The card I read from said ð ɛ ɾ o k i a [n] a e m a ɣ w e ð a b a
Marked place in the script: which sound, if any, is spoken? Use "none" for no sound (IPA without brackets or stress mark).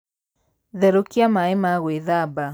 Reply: m